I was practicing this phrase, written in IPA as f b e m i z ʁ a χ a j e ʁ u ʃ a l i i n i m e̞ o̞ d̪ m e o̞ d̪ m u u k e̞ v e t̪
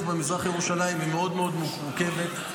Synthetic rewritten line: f b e m i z ʁ a χ a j e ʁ u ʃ a l a i m i m e̞ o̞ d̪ m e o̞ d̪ m u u k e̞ v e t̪